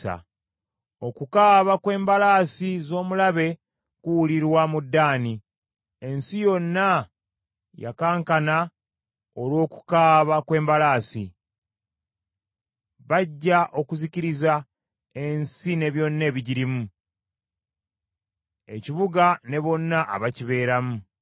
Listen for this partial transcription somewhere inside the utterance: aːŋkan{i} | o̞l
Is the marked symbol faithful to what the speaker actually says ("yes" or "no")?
no